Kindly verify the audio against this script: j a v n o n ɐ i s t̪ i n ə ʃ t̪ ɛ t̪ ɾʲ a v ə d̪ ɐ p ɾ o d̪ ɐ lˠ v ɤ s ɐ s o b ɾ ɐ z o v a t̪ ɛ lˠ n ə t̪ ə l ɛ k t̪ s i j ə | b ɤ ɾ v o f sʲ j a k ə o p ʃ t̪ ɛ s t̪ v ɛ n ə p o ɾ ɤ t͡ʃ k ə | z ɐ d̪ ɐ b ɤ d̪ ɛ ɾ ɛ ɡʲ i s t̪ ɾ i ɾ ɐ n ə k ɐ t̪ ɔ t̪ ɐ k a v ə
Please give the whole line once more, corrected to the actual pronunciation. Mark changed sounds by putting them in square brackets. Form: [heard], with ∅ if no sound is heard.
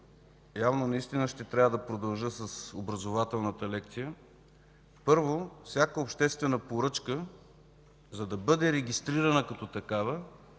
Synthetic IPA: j a v n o n ɐ i s t̪ i n ə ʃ t̪ ɛ t̪ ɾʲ a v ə d̪ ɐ p ɾ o d̪ ɐ lˠ [ʒ] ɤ s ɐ s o b ɾ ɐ z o v a t̪ ɛ lˠ n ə t̪ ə l ɛ k t̪ s i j ə | [p] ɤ ɾ v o f sʲ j a k ə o p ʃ t̪ ɛ s t̪ v ɛ n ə p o ɾ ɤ t͡ʃ k ə | z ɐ d̪ ɐ b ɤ d̪ ɛ ɾ ɛ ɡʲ i s t̪ ɾ i ɾ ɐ n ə k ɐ t̪ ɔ t̪ ɐ k a v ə